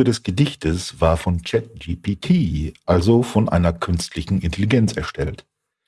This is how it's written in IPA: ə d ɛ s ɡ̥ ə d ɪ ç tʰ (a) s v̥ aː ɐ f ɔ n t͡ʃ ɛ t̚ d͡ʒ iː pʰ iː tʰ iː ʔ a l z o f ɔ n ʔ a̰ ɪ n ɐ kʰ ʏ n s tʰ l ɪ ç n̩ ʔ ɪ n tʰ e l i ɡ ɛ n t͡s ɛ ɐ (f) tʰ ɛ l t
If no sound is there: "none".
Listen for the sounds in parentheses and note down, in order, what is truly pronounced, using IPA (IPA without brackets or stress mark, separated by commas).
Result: ə, ʃ